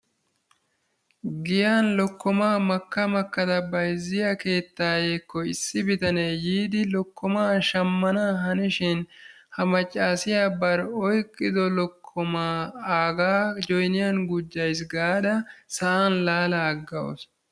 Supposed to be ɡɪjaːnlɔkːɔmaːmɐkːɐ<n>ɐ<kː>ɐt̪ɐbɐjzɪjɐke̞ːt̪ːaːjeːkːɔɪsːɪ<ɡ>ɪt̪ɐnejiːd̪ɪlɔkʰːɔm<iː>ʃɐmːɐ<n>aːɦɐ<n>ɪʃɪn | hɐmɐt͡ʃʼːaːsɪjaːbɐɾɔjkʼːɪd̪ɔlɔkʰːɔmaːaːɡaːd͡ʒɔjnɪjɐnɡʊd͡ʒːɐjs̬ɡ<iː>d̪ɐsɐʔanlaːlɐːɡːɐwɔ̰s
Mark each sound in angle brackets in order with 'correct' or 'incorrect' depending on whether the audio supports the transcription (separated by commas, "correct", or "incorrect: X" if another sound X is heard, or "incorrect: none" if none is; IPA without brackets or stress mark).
incorrect: m, correct, incorrect: b, incorrect: aː, correct, correct, incorrect: aː